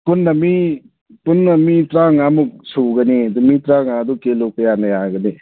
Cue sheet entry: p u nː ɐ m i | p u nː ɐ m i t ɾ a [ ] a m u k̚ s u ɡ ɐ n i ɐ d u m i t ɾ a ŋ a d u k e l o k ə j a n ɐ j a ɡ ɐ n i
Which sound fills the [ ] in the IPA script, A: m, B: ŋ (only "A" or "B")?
B